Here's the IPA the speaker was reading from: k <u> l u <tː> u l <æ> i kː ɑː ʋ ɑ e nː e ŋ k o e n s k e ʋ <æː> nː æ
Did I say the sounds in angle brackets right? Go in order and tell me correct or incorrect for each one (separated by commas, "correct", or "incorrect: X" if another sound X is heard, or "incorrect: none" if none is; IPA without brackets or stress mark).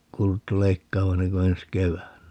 incorrect: uː, correct, incorrect: e, correct